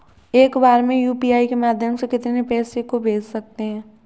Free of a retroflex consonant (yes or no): yes